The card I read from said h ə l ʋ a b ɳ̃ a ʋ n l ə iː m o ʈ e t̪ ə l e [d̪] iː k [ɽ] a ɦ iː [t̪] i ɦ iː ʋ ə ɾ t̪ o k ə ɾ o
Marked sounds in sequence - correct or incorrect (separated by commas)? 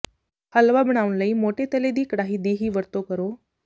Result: correct, correct, incorrect